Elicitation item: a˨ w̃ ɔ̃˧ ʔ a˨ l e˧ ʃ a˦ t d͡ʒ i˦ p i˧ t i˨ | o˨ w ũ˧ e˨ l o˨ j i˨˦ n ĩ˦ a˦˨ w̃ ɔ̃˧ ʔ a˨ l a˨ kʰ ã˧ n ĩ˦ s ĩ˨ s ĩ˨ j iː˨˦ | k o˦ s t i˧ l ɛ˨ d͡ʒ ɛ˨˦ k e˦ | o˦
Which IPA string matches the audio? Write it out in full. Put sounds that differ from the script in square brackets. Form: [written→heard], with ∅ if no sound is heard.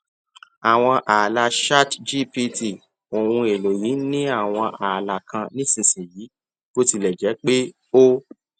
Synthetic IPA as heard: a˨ w̃ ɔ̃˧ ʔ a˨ l [e˧→a˧] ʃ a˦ t d͡ʒ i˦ p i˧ t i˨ | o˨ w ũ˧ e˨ l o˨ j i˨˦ n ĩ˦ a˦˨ w̃ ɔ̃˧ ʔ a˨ l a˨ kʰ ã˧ n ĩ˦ s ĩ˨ s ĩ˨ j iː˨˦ | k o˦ [s→∅] t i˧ l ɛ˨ d͡ʒ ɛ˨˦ [k→k͡p] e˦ | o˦